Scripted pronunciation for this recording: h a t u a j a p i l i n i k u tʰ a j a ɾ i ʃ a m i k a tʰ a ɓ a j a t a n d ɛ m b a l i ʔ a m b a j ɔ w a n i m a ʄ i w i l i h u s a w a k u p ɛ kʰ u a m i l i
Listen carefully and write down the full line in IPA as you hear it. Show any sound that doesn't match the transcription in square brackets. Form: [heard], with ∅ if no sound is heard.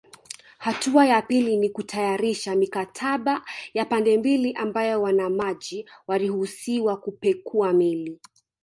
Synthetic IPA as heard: h a t u a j a p i l i n i k u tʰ a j a ɾ i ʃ a m i k a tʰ a ɓ a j a [p] a n d ɛ m b [i] l i ʔ a m b a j ɔ w a n [a] m a ʄ i w [a] l i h u s [i] w a k u p ɛ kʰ u a m i l i